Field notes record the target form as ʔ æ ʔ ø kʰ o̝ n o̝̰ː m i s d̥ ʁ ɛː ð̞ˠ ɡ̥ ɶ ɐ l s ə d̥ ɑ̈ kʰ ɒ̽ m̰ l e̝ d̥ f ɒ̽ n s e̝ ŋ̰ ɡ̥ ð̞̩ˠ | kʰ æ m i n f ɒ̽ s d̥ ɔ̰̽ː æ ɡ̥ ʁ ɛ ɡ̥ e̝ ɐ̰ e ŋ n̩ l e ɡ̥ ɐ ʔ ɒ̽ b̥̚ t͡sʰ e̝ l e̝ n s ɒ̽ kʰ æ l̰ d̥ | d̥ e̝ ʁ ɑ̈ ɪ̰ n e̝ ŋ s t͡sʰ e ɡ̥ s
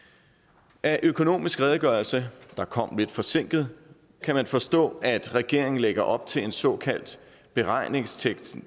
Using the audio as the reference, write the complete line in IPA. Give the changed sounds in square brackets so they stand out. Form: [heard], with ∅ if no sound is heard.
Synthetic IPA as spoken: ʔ æ ʔ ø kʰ o̝ n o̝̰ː m i s [ɡ̥] ʁ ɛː ð̞ˠ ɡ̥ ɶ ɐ l s ə d̥ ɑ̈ kʰ ɒ̽ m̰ l e̝ d̥ f ɒ̽ [∅] s e̝ ŋ̰ ɡ̥ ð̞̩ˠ | kʰ æ m [æ] n f ɒ̽ s d̥ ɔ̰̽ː æ [d̥] ʁ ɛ ɡ̥ e̝ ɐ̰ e ŋ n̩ l e ɡ̥ ɐ ʔ ɒ̽ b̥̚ t͡sʰ e̝ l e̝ n s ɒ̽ kʰ æ l̰ d̥ | [b̥] e̝ ʁ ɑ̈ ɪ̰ n e̝ ŋ s t͡sʰ e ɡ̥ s